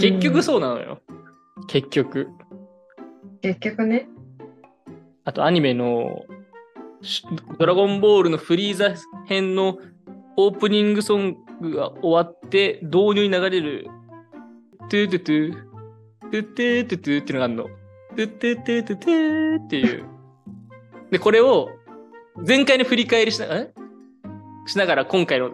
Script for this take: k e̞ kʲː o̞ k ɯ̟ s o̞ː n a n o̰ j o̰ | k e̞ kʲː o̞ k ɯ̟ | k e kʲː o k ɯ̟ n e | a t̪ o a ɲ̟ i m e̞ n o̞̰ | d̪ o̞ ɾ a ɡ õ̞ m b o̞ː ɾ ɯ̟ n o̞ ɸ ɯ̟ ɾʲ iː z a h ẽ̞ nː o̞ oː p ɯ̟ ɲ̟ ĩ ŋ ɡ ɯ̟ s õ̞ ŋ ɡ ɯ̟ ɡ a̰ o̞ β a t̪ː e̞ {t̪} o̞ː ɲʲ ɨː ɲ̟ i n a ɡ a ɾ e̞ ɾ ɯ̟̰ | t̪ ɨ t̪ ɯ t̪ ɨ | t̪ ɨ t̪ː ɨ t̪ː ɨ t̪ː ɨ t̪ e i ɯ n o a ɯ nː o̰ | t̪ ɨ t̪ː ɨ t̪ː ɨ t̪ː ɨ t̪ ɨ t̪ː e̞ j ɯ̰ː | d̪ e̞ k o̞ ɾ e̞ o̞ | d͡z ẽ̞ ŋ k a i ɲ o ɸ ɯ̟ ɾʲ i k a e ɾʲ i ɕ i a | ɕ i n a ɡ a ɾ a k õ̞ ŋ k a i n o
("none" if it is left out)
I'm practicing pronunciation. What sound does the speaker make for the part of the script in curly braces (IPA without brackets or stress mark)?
d̪